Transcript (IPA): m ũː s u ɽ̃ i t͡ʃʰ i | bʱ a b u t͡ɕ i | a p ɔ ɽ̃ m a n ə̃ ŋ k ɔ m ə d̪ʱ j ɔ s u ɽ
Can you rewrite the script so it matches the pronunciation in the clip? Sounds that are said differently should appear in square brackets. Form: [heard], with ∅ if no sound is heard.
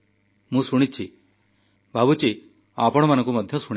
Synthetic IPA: m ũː s u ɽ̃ i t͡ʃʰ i | bʱ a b u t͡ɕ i | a p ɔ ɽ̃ m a n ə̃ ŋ k [u] m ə d̪ʱ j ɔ s u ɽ